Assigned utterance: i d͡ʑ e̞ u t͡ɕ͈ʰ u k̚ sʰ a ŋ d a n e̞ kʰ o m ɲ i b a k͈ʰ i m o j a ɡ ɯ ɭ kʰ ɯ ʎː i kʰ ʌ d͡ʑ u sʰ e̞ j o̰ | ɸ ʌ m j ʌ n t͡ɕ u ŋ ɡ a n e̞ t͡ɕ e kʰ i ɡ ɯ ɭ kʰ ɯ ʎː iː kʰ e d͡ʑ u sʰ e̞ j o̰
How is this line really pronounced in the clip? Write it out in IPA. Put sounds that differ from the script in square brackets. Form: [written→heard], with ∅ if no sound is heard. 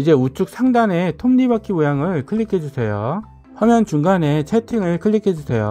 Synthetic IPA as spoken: i d͡ʑ e̞ u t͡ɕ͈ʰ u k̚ sʰ a ŋ d a n e̞ [kʰ→tʰ] o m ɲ i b a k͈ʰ i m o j a [ɡ→ŋ] ɯ ɭ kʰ ɯ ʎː i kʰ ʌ d͡ʑ u sʰ e̞ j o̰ | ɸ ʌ m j ʌ n t͡ɕ u ŋ ɡ a n e̞ [t͡ɕ→t͡ɕʰ] e [kʰ→tʰ] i [ɡ→ŋ] ɯ ɭ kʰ ɯ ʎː [iː→i] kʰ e d͡ʑ u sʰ e̞ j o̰